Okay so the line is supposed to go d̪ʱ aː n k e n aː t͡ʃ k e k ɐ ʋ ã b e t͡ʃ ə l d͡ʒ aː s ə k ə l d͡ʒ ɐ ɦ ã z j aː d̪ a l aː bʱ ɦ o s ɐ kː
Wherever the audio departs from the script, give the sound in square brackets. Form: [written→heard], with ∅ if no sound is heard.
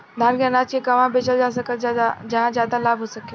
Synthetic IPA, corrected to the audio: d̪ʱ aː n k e n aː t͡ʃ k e k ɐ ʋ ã b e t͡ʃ ə l d͡ʒ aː s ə k ə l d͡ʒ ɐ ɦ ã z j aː d̪ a l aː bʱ ɦ o s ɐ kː